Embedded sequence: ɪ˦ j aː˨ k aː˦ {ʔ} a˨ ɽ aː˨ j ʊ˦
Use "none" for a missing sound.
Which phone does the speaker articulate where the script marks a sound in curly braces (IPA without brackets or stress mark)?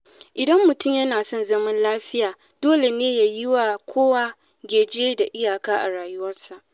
ʔ